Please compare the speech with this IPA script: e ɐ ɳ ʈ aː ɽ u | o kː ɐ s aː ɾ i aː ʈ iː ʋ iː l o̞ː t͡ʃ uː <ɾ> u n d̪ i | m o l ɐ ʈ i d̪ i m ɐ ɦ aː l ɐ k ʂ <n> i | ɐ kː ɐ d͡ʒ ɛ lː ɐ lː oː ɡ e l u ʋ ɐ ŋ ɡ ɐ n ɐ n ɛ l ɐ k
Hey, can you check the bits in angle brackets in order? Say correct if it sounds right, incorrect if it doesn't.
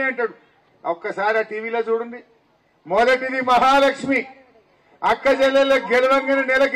incorrect: ɽ, incorrect: m

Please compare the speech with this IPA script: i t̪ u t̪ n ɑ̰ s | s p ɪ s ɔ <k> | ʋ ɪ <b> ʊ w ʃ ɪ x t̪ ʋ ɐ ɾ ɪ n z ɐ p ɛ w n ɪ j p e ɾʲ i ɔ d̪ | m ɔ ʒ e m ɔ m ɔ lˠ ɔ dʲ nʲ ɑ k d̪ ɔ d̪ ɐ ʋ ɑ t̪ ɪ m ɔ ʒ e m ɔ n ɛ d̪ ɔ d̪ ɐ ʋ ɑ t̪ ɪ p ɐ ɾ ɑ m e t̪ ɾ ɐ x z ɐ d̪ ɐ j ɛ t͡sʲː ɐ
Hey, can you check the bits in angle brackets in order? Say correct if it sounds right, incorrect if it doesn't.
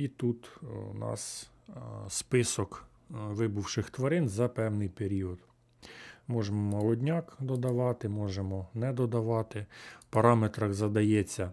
correct, correct

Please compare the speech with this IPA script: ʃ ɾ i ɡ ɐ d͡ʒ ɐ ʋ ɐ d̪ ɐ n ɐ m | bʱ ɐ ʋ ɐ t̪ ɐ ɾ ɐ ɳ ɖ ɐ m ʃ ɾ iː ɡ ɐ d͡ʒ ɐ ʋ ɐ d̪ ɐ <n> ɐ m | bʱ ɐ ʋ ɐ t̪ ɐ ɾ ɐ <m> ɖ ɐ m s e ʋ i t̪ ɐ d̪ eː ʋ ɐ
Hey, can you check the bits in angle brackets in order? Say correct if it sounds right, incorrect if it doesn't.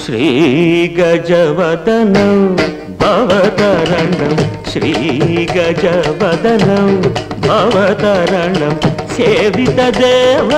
correct, incorrect: ɳ

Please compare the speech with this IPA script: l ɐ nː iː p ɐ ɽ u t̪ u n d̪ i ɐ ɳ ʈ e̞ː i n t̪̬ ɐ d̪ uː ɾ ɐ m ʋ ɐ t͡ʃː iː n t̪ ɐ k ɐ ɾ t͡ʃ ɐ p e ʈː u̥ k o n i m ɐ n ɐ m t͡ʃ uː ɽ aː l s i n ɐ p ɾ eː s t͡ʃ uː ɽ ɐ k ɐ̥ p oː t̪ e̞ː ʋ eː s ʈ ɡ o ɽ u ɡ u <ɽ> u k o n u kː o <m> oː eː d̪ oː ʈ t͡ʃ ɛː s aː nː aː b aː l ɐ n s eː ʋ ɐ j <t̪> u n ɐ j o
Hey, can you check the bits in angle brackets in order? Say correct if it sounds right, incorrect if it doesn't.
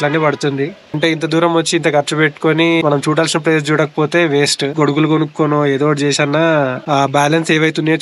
incorrect: l, incorrect: n, correct

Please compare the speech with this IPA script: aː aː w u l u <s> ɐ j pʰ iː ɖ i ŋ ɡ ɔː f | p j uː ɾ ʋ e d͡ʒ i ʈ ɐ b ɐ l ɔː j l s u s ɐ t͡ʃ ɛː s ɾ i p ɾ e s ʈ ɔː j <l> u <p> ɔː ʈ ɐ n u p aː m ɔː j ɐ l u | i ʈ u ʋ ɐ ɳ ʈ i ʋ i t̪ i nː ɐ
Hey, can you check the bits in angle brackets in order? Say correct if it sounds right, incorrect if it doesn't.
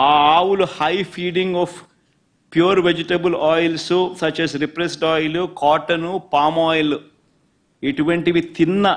incorrect: h, correct, incorrect: k

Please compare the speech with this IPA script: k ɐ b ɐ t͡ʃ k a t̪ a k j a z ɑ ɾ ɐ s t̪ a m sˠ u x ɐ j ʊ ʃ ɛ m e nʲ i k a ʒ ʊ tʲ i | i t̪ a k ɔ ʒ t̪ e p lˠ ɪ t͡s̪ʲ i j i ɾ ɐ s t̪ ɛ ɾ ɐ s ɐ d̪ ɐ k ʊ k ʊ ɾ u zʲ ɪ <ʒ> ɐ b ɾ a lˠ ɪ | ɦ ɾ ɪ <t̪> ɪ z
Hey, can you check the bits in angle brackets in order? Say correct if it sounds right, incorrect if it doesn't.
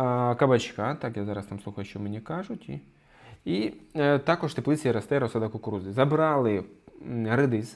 incorrect: z, incorrect: d̪

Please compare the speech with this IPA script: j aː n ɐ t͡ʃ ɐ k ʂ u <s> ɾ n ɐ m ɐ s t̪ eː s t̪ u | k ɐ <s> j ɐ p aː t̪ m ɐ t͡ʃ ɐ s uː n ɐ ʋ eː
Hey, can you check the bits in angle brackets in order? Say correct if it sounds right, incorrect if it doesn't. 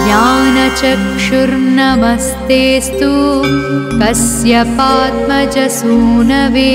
incorrect: none, correct

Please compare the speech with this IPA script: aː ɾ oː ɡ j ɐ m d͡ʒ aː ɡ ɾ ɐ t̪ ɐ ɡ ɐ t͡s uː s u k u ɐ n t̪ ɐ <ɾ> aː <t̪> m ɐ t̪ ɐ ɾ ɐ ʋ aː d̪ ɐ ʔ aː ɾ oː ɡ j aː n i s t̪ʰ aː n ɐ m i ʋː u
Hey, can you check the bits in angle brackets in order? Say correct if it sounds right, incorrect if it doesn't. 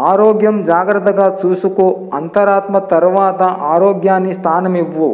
correct, correct

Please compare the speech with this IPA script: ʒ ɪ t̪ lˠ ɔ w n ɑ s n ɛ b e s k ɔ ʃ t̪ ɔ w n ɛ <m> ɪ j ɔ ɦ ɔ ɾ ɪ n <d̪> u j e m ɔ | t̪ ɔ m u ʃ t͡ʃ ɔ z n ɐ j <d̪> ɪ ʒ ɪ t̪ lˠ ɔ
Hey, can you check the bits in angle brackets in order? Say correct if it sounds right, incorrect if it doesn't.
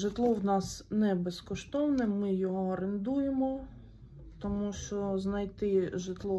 correct, correct, incorrect: t̪

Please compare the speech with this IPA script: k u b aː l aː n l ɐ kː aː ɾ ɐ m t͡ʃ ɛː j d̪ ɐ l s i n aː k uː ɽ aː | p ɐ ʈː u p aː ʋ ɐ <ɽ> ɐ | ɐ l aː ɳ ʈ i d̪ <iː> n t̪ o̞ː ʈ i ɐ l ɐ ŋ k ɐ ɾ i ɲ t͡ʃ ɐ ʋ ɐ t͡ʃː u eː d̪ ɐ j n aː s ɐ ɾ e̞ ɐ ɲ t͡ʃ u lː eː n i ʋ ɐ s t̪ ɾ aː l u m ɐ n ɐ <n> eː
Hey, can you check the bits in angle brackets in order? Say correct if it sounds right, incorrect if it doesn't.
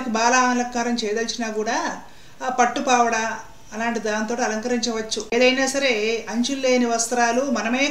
correct, incorrect: aː, incorrect: m

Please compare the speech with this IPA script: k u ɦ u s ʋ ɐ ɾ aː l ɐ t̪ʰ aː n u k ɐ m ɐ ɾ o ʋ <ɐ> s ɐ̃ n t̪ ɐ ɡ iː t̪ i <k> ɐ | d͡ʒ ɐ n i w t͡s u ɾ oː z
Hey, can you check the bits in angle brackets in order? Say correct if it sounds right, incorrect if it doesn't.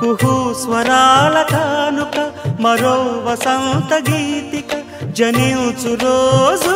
correct, correct

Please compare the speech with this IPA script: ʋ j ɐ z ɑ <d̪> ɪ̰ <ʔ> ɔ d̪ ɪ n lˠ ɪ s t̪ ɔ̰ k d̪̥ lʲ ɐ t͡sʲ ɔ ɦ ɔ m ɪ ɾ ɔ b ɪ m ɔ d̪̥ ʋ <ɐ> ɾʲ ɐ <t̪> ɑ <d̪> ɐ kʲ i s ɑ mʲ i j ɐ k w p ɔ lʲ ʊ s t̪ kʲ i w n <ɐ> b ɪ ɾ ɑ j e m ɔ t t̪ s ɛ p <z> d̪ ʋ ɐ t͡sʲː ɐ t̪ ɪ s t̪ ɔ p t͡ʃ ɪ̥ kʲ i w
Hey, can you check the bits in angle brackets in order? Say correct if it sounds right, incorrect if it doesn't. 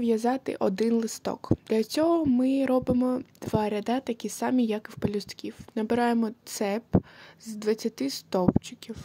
incorrect: t̪, correct, incorrect: ɑ, incorrect: d̪, incorrect: t̪, correct, correct

